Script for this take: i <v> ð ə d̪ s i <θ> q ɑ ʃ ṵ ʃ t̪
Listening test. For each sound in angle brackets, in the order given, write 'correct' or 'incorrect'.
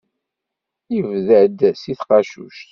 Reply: correct, correct

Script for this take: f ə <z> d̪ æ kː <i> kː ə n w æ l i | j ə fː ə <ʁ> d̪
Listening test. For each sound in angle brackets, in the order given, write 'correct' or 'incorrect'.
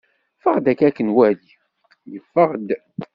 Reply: incorrect, incorrect, correct

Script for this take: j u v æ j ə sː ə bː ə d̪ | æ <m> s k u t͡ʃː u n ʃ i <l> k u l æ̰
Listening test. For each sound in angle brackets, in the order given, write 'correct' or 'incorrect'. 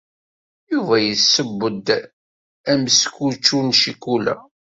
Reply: correct, incorrect

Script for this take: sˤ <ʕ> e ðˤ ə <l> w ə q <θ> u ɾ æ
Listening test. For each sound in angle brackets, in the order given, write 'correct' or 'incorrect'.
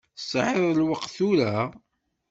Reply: correct, correct, correct

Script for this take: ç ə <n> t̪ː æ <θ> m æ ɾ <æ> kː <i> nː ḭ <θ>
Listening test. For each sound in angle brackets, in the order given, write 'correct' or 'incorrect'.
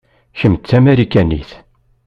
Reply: incorrect, incorrect, incorrect, incorrect, correct

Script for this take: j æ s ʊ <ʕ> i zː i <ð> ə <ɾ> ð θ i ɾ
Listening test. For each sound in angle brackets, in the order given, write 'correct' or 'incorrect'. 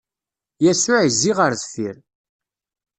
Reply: correct, incorrect, correct

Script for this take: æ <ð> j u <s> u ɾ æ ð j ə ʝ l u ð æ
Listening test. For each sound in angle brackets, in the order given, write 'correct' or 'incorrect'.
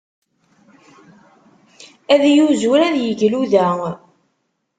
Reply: correct, incorrect

